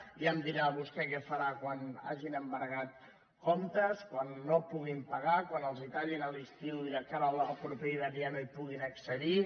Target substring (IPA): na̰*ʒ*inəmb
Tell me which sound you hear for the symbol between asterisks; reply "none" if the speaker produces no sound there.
ʒ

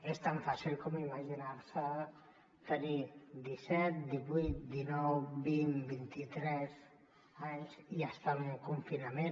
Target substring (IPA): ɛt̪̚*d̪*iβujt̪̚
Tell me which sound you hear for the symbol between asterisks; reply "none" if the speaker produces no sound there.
d̪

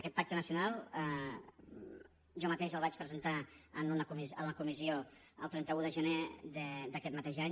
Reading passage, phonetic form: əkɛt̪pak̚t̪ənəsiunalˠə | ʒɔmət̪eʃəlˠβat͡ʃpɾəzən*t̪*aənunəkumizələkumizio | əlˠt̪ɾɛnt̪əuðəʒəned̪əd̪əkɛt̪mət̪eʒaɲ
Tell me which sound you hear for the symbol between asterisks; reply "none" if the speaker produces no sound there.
t̪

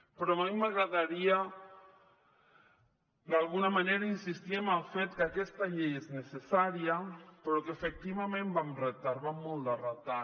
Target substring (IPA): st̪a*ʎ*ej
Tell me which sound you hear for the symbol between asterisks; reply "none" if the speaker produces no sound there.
ʎ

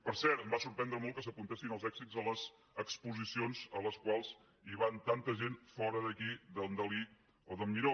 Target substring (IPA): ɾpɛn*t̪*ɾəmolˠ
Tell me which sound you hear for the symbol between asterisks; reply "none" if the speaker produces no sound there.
d̪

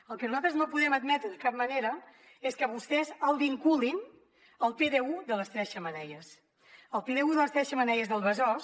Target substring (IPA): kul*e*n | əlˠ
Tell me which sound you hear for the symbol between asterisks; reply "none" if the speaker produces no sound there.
i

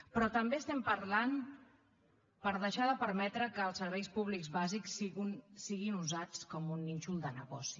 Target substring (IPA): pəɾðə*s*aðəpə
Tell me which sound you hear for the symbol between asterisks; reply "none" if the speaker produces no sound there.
ʃ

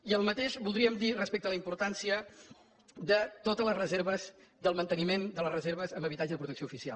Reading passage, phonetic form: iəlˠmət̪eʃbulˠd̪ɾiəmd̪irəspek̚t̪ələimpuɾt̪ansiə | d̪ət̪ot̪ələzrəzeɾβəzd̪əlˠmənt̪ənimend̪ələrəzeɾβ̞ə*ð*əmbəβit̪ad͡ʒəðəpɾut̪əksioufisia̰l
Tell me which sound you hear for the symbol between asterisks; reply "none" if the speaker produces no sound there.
z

